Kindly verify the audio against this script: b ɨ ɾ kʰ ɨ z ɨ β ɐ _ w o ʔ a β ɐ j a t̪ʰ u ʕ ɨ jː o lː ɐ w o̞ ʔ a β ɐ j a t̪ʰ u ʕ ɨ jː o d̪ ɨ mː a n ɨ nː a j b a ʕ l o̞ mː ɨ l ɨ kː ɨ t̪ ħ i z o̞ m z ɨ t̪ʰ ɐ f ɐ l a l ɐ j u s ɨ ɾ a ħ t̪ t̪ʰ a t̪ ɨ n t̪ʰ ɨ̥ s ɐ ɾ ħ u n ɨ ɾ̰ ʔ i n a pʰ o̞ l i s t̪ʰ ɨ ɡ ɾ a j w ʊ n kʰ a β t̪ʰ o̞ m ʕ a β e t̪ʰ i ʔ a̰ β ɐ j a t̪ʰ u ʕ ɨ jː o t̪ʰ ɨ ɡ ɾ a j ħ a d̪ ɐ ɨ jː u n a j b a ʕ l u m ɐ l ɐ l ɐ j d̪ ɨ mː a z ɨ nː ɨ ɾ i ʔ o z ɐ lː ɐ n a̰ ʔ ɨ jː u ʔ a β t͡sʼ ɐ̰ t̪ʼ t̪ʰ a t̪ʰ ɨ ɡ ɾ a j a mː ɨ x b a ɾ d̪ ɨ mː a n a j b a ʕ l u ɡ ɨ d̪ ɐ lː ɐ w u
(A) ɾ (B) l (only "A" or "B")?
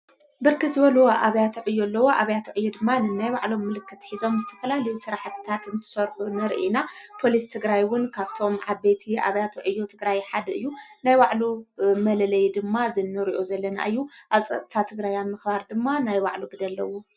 B